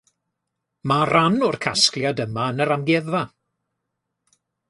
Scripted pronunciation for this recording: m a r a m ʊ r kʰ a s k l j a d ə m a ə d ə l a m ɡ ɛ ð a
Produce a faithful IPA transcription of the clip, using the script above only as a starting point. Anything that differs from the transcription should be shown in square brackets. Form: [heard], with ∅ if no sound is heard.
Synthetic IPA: m a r a [n] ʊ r kʰ a s k l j a d ə m a ə [n] ə [ɾ] a m ɡ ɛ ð a